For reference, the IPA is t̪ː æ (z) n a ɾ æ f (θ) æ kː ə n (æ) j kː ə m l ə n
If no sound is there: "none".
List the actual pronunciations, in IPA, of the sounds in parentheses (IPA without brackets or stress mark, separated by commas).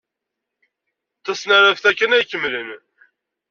s, θ, æ